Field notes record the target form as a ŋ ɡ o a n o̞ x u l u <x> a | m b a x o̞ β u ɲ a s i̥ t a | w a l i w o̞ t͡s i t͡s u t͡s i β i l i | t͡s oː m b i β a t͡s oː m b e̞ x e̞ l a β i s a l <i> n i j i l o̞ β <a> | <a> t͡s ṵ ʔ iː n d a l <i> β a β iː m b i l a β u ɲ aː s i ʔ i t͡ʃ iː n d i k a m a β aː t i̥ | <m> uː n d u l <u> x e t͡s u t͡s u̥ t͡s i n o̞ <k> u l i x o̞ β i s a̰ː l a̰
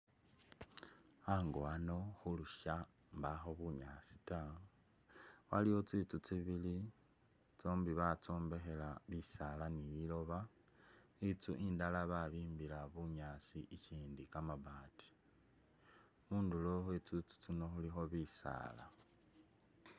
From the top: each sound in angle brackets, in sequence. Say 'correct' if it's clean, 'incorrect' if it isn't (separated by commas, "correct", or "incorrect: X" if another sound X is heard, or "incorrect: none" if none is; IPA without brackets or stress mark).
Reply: incorrect: ʃ, incorrect: a, correct, incorrect: i, incorrect: a, correct, incorrect: o, incorrect: x